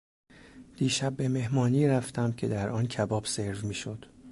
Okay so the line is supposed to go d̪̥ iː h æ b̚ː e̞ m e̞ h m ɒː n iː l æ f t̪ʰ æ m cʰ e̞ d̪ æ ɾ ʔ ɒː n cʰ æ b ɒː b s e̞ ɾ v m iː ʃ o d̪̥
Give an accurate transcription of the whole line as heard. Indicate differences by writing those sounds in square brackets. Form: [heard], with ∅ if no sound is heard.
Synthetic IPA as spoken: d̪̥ iː [ʃ] æ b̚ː e̞ m e̞ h m ɒː n iː [ɾ] æ f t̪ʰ æ m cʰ e̞ d̪ æ ɾ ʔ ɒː n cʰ æ b ɒː b s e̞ ɾ v m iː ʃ o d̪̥